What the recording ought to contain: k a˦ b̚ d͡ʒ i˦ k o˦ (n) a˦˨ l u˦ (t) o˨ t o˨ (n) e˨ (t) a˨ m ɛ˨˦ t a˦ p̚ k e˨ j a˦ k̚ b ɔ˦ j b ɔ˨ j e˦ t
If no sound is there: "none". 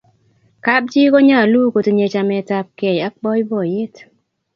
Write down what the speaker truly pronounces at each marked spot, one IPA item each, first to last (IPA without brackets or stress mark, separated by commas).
ɲ, k, ɲ, t͡ʃ